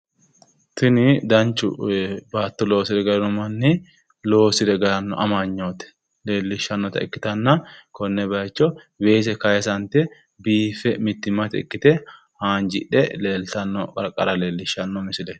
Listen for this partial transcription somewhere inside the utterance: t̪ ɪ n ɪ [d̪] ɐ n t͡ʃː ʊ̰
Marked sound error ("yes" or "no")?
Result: no